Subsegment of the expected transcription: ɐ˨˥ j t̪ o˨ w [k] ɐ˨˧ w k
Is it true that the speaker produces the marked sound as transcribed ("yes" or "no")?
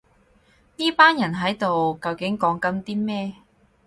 yes